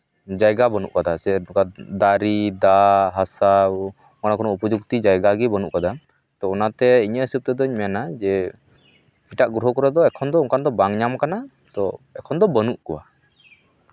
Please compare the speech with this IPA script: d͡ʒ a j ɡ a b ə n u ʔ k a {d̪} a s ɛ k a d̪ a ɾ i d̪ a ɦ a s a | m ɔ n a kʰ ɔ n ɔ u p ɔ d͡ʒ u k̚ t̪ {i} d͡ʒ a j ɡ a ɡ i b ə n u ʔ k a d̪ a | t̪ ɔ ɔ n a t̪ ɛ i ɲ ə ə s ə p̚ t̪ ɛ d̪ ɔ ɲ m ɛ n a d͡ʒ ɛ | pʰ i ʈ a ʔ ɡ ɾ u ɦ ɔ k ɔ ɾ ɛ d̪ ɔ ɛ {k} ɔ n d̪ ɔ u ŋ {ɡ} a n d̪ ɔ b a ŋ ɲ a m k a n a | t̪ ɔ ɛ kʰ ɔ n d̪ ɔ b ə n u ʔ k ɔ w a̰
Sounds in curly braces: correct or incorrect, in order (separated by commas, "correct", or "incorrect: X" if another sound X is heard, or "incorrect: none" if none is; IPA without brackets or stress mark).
correct, correct, incorrect: kʰ, incorrect: k